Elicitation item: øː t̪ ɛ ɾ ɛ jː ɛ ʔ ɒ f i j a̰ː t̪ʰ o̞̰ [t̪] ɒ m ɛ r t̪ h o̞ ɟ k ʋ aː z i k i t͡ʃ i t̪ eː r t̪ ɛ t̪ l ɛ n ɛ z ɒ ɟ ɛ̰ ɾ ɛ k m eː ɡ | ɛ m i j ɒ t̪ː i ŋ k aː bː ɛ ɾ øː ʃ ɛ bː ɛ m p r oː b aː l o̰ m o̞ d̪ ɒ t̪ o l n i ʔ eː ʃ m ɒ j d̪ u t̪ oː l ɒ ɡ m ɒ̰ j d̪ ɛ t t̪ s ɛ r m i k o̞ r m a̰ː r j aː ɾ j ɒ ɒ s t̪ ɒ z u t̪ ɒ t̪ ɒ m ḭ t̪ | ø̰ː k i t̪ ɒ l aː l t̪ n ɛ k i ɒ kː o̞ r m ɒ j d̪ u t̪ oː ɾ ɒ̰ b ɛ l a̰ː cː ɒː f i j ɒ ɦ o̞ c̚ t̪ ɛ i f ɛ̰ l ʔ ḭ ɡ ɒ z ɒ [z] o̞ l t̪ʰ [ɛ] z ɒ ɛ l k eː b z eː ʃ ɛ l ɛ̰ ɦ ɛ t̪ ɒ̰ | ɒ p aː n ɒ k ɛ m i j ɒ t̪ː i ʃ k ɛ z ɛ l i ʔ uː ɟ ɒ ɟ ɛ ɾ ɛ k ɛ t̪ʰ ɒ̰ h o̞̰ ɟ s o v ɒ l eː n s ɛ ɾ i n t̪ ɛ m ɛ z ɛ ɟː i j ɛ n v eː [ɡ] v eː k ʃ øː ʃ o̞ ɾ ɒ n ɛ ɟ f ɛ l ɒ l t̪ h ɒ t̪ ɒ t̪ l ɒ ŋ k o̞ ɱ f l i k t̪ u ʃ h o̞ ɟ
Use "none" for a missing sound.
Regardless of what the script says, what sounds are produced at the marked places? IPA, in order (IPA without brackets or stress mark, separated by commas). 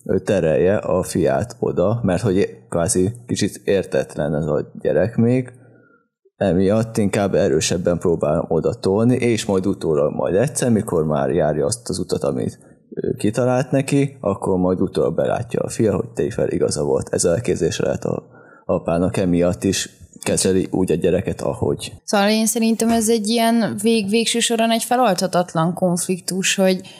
d̪, v, ɛ, ɡ